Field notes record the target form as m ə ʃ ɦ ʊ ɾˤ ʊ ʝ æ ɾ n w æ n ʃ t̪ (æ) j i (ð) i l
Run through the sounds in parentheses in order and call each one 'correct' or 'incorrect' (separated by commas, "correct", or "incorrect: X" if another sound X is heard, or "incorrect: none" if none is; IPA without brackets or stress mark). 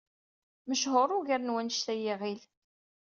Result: correct, incorrect: ʁ